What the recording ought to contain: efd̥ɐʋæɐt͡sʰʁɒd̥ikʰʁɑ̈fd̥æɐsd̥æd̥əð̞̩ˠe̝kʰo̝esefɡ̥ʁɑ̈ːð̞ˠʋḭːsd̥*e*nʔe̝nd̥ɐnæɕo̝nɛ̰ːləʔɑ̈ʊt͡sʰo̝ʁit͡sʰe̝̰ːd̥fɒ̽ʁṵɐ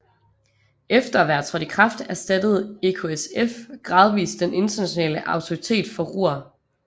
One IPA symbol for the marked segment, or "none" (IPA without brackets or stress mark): e